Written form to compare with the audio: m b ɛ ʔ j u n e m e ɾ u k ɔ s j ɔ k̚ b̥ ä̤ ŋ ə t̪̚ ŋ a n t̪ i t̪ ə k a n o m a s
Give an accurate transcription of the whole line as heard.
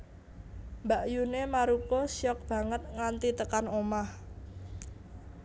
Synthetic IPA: m b a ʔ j u n e m a ɾ u k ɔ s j ɔ k̚ b̥ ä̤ ŋ ə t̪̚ ŋ a n t̪ i t̪ ə k a n o m a h